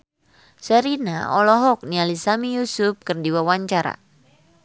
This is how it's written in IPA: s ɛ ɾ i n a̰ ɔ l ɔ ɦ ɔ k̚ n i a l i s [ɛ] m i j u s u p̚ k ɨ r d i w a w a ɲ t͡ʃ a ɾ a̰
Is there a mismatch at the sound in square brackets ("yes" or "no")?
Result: yes